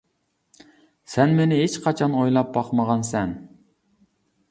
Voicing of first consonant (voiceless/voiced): voiceless